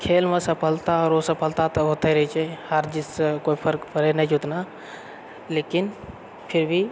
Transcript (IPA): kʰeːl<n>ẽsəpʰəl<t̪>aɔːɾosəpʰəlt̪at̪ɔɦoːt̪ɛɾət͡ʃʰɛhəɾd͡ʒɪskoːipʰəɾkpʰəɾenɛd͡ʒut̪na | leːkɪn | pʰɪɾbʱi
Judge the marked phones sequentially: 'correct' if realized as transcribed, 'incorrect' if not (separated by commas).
incorrect, correct